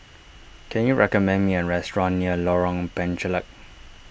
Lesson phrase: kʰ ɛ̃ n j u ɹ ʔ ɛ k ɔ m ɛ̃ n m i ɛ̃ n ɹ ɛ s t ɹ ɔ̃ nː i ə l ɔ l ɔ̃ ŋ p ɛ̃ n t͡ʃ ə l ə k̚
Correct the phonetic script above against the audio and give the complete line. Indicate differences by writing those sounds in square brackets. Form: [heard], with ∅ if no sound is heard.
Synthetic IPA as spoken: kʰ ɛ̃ n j u ɹ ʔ ɛ k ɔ m ɛ̃ n m i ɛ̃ n ɹ ɛ s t ɹ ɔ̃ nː i ə l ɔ [ɹ] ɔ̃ ŋ p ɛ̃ n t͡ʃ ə l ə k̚